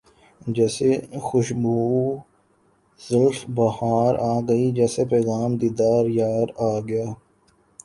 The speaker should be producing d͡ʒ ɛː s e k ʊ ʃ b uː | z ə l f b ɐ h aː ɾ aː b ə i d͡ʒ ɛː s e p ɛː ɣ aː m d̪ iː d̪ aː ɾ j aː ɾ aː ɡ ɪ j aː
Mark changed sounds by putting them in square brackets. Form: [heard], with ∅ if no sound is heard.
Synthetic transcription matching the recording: d͡ʒ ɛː s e [x] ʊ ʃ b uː | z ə l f b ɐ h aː ɾ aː [ɡ] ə i d͡ʒ ɛː s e p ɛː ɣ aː m d̪ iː d̪ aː ɾ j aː ɾ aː ɡ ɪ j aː